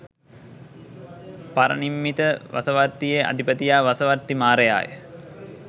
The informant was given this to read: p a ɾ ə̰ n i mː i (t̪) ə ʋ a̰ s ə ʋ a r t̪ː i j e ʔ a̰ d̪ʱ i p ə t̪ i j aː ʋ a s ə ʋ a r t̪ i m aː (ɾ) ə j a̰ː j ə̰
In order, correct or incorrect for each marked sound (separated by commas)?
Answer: correct, correct